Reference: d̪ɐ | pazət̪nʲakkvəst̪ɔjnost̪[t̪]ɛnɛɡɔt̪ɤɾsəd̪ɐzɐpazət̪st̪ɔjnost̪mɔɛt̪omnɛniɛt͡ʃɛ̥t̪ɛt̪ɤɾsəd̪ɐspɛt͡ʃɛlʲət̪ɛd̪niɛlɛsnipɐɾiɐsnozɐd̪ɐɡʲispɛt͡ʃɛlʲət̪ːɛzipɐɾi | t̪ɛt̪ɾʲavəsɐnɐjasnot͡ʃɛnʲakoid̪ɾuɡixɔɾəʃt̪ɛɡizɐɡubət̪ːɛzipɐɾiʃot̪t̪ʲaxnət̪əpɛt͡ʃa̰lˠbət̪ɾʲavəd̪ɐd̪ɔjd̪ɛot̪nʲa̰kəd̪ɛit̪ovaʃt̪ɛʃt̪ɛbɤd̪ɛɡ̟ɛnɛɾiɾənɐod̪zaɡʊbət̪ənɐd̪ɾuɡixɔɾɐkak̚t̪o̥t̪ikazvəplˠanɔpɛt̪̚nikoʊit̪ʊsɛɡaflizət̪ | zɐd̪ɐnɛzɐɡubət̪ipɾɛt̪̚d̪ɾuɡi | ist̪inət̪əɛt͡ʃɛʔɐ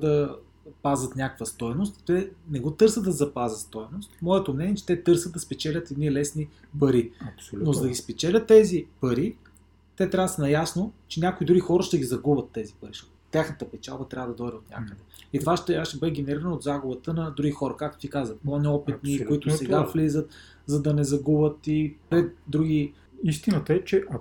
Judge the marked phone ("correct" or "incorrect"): correct